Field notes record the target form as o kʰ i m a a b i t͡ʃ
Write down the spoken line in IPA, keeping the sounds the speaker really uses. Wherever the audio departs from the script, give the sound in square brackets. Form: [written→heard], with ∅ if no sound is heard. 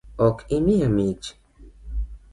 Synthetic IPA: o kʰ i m [a→i] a [b→m] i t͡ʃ